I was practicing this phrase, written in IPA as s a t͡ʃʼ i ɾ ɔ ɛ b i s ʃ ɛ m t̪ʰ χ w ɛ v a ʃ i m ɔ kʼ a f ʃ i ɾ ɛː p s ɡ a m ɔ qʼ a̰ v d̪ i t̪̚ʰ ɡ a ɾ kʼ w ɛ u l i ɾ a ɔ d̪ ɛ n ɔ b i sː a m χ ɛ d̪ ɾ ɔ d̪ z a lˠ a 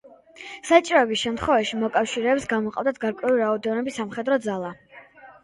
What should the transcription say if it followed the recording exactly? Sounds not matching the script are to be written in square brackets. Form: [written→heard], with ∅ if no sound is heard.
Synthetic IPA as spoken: s a t͡ʃʼ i ɾ ɔ ɛ b i s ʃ ɛ m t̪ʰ χ w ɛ v a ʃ i m ɔ kʼ a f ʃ i ɾ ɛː p s ɡ a m ɔ qʼ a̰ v d̪ [i→a] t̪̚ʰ ɡ a ɾ kʼ w ɛ u l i ɾ a ɔ d̪ ɛ n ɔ b i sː a m χ ɛ d̪ ɾ ɔ d̪ z a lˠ a